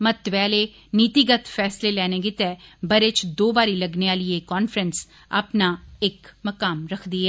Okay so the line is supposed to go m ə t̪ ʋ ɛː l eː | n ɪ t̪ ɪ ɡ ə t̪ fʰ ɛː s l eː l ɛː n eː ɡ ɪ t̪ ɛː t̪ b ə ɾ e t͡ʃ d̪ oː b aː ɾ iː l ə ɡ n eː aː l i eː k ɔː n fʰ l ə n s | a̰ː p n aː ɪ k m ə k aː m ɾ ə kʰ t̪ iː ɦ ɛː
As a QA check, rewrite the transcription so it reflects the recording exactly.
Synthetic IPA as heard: m ə t̪ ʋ ɛː l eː | n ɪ t̪ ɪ ɡ ə t̪ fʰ ɛː s l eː l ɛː n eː ɡ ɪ t̪ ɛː b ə ɾ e t͡ʃ d̪ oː b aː ɾ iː l ə ɡ n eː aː l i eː k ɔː n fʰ ɾ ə n s | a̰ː p n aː ɪ k m ə k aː m ɾ ə kʰ d̪ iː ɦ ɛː